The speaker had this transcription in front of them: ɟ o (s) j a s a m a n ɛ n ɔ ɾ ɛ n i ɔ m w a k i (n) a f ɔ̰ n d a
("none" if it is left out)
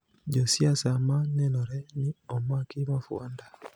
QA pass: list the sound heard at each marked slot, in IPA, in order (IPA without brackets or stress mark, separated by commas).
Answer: s, m